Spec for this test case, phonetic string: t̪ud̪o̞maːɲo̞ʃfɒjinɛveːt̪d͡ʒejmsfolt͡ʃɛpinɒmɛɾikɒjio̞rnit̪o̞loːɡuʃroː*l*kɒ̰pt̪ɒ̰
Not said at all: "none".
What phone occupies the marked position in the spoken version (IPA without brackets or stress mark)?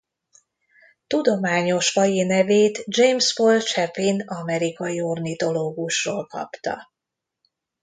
l